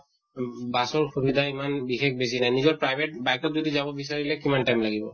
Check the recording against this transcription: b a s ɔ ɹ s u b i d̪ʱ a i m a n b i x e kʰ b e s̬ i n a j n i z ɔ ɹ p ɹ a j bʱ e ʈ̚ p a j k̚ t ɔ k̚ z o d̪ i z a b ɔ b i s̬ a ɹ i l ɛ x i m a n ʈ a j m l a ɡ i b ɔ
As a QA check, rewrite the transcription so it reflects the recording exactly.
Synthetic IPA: b a s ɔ ɹ x u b i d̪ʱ a i m a n b i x e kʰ b e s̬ i n a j n i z ɔ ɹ p ɹ a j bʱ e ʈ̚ b a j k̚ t ɔ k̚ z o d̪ i z a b ɔ b i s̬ a ɹ i l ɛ k i m a n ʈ a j m l a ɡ i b ɔ